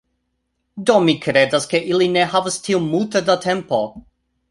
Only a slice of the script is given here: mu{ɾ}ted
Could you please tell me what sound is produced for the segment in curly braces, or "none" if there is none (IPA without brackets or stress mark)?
l